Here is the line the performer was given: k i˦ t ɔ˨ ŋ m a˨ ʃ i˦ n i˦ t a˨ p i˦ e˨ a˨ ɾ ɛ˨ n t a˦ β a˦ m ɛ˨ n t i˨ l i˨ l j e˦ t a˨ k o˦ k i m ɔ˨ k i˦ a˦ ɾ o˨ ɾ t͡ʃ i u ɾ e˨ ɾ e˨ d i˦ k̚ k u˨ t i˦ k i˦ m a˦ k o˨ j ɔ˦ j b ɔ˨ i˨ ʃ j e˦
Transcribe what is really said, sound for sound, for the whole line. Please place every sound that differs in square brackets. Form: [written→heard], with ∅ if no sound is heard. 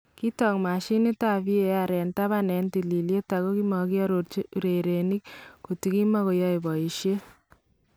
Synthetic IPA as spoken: k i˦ t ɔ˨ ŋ m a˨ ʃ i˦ n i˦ t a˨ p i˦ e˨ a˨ ɾ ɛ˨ n t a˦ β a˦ [m→n] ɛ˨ n t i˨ l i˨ l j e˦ t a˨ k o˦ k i m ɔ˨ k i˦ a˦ ɾ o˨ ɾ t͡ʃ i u ɾ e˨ ɾ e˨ [d→n] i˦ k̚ k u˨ t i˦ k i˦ m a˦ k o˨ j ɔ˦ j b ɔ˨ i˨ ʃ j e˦